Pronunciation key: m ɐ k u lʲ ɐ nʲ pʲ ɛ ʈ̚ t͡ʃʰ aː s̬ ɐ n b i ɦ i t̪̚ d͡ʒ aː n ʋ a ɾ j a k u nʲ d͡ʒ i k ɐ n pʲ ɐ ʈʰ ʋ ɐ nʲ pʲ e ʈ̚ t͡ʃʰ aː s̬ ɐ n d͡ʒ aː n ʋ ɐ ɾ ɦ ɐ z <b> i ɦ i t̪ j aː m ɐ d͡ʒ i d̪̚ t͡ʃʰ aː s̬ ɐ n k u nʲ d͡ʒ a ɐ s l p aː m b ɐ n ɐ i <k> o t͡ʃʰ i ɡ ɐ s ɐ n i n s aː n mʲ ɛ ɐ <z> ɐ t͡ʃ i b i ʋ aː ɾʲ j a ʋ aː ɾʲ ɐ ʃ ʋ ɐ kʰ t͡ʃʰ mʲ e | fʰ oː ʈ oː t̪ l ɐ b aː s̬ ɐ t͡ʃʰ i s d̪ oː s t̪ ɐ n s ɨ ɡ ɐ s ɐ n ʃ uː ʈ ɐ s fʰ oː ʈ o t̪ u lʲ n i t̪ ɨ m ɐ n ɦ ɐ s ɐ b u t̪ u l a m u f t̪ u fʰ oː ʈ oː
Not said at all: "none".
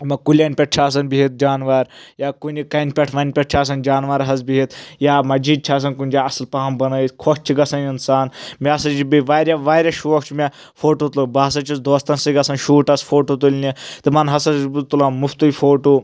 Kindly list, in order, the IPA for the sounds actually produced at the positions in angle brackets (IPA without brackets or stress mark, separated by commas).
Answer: b, kʰ, s